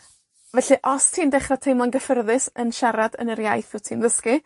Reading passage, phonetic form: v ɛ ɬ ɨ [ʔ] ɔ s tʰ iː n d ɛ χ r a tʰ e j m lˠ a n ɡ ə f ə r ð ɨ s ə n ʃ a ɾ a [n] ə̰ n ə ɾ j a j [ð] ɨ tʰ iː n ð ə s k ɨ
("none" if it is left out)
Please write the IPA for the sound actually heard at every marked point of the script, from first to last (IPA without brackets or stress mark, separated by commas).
ʔ, d, θ